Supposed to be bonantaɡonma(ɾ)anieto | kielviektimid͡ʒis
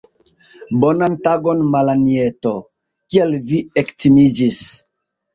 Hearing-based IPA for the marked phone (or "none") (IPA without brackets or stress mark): l